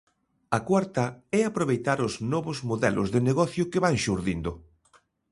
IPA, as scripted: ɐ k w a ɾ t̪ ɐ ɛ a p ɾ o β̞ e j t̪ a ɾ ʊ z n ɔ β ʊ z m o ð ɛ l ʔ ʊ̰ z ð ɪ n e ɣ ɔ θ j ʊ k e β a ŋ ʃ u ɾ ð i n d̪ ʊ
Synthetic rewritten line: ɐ k w a ɾ t̪ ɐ ɛ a p ɾ o β̞ e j t̪ a ɾ ʊ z n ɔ β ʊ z m o ð ɛ l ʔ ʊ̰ z ð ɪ n e ɣ ɔ θ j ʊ k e β a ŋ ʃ u ɾ ð i n d̪ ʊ

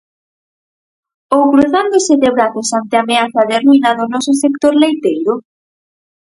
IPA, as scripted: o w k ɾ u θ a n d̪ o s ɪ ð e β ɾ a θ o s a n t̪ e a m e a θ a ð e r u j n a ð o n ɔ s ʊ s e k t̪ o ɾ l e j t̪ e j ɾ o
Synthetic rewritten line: o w k ɾ u θ a n d̪ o s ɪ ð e β ɾ a θ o s a n t̪ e a m e a θ a ð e r u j n a ð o n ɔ s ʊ s e k t̪ o ɾ l e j t̪ e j ɾ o

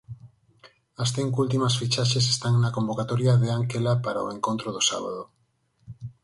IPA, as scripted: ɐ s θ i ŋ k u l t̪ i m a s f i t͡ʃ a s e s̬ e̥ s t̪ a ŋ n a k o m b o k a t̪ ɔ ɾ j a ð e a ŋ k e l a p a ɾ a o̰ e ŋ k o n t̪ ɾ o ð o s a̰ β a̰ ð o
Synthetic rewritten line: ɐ s θ i ŋ k u l t̪ i m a s f i t͡ʃ a ʃ e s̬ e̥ s t̪ a ŋ n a k o m b o k a t̪ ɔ ɾ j a ð e a ŋ k e l a p a ɾ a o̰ e ŋ k o n t̪ ɾ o ð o s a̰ β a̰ ð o

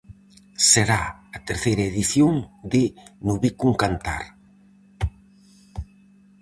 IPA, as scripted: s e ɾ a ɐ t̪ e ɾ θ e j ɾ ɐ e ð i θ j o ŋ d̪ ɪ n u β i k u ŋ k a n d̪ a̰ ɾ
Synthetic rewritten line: s e ɾ a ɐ t̪ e ɾ θ e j ɾ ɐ e ð i θ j o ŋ d̪ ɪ n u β i k u ŋ k a n t̪ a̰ ɾ

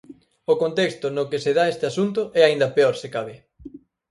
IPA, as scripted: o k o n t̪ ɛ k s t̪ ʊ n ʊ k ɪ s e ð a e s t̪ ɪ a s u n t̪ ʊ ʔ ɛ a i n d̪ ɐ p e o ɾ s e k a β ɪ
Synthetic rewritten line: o k o n t̪ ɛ k s t̪ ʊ n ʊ k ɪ s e ð a e s t̪ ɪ a s u n t̪ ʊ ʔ ɛ a i n d̪ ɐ p e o ɾ s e k a β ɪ

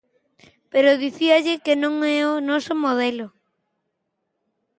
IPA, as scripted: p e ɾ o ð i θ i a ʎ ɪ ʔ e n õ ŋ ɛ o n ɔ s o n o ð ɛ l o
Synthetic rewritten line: p e ɾ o ð i θ i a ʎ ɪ k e n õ ŋ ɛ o n ɔ s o m o ð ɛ l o

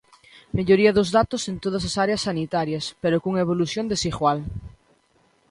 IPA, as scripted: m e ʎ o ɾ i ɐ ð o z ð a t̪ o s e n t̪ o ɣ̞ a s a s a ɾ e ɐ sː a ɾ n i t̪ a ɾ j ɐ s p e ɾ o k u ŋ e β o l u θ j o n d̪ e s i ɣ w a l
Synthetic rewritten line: m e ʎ o ɾ i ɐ ð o z ð a t̪ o s e n t̪ o ð̞ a s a s a ɾ e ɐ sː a n i t̪ a ɾ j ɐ s p e ɾ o k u ŋ e β o l u θ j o n d̪ e s i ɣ w a l

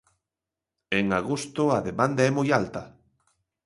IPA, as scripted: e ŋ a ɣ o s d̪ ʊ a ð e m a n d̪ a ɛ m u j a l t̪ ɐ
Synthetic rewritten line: e ŋ a ɣ o s t̪ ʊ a ð e m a n d̪ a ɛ m o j a l t̪ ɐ

